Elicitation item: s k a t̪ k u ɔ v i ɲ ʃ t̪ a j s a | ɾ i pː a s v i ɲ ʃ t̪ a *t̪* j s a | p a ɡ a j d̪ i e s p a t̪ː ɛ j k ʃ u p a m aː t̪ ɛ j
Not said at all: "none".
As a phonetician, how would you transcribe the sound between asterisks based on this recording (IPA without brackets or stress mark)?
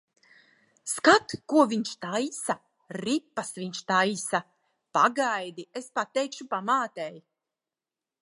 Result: none